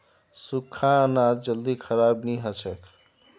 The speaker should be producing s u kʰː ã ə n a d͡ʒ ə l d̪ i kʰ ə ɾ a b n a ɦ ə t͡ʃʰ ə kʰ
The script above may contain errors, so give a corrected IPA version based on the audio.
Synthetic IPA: s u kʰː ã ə n a d͡ʒ ə l d̪ i kʰ ə ɾ a b n i ɦ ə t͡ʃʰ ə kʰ

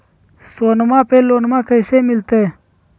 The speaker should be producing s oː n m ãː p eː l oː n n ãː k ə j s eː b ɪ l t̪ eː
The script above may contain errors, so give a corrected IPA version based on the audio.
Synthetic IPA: s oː n m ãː p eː l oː n m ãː k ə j s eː m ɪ l t̪ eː

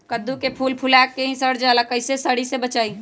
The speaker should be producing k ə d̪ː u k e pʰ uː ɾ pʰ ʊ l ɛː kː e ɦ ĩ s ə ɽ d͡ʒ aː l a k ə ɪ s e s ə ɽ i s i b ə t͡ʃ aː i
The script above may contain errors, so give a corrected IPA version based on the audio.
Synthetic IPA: k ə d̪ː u k e pʰ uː l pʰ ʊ l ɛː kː e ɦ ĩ s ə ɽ d͡ʒ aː l a k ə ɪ s e s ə ɽ i s e b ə t͡ʃ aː i

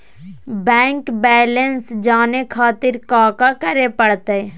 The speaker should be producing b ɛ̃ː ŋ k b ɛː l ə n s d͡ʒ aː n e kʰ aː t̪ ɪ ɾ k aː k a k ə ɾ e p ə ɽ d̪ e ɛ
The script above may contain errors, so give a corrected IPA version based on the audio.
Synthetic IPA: b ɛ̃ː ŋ k b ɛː l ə n s d͡ʒ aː n e kʰ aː t̪ ɪ ɾ k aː k a k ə ɾ e p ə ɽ t̪ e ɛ

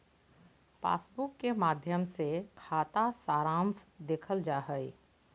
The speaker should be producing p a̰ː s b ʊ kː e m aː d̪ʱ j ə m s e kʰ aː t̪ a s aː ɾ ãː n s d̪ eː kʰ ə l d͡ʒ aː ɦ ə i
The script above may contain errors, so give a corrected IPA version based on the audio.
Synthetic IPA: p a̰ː s b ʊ kː e m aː d̪ʱ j ə m s e kʰ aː t̪ a s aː ɾ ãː n s d̪ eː kʰ ə l d͡ʒ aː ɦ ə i

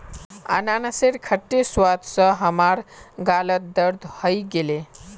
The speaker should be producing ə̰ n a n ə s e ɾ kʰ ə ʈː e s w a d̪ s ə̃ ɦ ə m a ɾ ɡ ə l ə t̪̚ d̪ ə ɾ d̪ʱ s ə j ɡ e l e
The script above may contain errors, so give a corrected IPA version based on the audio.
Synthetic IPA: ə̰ n a n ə s e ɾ kʰ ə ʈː e s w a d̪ s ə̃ ɦ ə m a ɾ ɡ a l ə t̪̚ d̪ ə ɾ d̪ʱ h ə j ɡ e l e

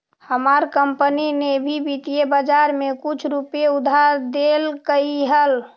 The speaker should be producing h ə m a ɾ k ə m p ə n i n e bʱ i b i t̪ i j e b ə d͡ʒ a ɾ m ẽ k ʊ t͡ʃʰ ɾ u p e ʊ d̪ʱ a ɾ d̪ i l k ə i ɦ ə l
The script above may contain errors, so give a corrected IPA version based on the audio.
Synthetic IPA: h ə m a ɾ k ə m p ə n i n e bʱ i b i t̪ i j e b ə d͡ʒ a ɾ m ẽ k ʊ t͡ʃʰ ɾ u p e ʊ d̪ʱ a ɾ d̪ e l k ə i ɦ ə l

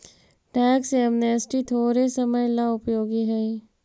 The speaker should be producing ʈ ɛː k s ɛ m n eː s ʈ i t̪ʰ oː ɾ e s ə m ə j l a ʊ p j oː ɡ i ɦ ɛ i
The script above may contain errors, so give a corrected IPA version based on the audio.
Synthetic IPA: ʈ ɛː k s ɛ m n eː s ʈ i t̪ʰ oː ɾ e s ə m ə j l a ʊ p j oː ɡ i ɦ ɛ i

